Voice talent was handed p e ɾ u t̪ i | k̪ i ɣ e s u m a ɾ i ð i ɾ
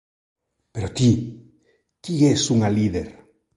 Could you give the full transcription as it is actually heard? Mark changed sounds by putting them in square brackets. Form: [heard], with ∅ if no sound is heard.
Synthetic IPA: p e ɾ [o] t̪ i | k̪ i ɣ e s u [ŋ] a [l] i ð [e] ɾ